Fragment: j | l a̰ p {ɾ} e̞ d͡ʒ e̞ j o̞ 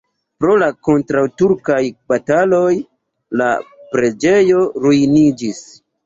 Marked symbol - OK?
yes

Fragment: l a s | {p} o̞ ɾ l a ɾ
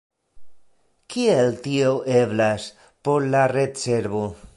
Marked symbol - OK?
yes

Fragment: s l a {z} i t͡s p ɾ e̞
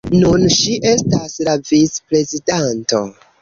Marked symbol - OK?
no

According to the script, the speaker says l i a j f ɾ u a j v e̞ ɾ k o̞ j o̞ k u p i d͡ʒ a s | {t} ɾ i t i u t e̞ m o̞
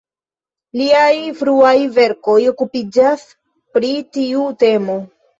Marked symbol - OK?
no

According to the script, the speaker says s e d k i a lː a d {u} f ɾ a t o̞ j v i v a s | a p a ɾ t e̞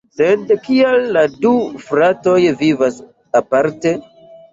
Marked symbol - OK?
yes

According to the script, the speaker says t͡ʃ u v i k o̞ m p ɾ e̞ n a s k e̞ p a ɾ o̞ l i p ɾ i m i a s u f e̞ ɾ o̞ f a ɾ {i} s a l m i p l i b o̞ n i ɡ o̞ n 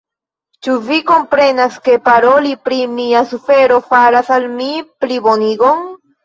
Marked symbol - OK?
no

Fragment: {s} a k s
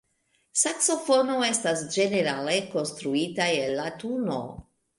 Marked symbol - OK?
yes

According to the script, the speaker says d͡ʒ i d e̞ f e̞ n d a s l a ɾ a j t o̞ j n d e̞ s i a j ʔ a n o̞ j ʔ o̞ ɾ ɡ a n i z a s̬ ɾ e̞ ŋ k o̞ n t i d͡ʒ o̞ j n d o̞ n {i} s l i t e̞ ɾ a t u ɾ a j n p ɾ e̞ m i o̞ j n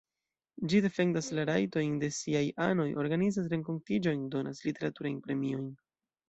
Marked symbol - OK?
no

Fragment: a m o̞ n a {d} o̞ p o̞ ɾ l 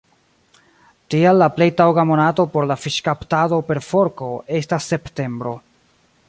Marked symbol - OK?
no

